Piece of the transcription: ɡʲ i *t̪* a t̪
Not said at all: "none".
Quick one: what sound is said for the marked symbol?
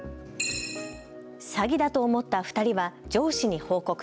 d̪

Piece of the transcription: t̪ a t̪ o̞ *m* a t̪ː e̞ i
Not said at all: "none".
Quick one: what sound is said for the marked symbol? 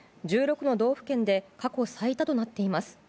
n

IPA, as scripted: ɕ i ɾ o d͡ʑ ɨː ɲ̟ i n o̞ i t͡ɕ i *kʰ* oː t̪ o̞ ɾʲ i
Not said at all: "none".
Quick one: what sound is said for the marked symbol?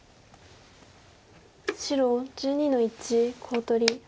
kʰ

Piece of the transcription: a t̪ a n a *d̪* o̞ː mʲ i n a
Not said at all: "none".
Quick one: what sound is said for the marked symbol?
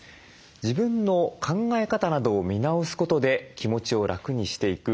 d̪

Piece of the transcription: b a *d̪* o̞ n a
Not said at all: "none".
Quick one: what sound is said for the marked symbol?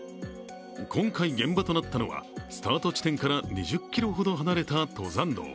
t̪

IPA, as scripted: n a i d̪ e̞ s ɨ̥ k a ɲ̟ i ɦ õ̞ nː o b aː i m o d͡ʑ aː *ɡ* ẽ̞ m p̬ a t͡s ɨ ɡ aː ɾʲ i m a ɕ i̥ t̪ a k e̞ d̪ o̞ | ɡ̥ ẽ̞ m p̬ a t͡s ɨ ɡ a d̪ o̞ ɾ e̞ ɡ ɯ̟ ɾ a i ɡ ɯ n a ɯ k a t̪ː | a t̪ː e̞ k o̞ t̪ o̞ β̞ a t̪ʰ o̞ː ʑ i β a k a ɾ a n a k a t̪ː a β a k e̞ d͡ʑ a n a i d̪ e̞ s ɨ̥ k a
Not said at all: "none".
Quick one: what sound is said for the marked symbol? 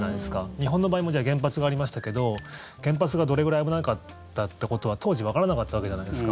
ɡ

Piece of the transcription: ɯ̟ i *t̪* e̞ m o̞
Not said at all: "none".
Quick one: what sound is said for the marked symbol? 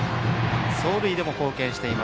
d̪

